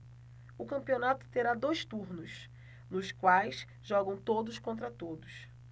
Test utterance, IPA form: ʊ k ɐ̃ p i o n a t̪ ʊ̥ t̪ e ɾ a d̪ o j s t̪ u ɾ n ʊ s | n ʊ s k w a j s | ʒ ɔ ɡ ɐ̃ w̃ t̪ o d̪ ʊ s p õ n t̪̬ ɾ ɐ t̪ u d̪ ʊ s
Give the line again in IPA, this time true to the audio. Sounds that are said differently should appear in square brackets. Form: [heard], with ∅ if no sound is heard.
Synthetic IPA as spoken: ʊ k ɐ̃ p i o n a t̪ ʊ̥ t̪ e ɾ a d̪ o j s t̪ u ɾ n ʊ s | n ʊ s k w a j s | ʒ ɔ ɡ ɐ̃ w̃ t̪ o d̪ ʊ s [k] õ n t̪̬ ɾ ɐ t̪ [o] d̪ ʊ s